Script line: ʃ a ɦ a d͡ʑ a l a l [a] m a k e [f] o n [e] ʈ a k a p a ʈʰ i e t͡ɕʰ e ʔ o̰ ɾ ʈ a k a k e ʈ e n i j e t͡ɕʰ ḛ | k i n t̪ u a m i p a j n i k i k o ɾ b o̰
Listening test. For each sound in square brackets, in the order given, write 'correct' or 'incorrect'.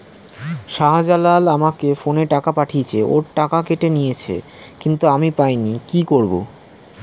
correct, correct, correct

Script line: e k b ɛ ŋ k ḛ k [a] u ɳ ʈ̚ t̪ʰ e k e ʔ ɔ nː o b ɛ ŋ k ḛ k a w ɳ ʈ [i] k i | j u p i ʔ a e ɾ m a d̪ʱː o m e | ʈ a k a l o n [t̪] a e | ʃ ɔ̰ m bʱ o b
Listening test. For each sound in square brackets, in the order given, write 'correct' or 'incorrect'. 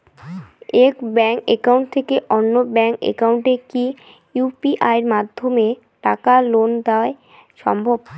correct, incorrect, incorrect

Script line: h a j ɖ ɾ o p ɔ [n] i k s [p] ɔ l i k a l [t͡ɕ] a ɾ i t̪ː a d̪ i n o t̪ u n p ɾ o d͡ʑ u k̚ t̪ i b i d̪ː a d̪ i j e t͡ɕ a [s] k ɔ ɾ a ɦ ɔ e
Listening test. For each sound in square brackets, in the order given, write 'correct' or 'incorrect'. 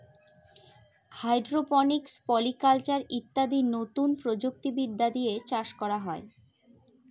correct, correct, correct, incorrect

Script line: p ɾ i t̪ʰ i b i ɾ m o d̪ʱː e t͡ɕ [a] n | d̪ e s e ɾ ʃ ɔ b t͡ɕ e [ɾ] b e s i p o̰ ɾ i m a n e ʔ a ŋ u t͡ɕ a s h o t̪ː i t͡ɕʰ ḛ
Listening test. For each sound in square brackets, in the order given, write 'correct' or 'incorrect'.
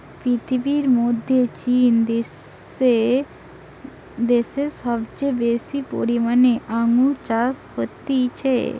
incorrect, incorrect

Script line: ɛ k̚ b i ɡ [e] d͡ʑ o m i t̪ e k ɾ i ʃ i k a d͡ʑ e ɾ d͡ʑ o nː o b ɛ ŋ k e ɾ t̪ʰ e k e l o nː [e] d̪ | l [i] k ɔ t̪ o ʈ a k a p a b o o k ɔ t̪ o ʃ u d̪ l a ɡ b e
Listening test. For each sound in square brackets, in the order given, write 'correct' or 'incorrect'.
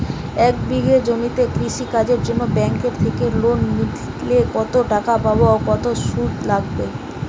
correct, incorrect, incorrect

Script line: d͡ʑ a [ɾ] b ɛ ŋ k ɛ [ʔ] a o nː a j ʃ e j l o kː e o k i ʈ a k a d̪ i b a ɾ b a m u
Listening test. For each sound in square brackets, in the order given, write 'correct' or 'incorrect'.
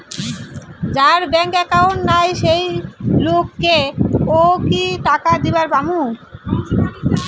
correct, incorrect

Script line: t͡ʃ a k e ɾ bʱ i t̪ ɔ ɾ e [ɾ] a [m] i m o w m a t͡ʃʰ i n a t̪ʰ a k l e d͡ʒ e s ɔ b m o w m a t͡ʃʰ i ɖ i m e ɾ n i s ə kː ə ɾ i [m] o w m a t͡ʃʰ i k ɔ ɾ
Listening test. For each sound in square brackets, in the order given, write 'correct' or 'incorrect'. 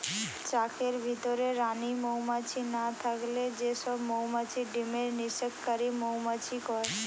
correct, incorrect, correct

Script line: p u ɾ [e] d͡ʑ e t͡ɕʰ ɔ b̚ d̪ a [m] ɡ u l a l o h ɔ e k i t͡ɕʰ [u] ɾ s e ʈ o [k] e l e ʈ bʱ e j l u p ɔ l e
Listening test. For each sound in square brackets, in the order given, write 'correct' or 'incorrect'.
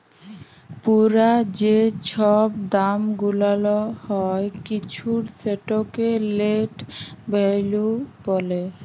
incorrect, correct, correct, correct

